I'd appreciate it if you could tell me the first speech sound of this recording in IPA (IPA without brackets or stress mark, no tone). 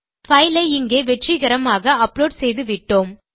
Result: f